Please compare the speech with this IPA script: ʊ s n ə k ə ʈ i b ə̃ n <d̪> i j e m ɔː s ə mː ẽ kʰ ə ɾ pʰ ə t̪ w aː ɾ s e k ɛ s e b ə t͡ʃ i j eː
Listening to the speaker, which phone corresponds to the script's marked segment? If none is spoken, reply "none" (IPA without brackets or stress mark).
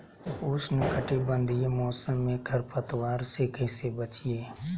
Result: d̪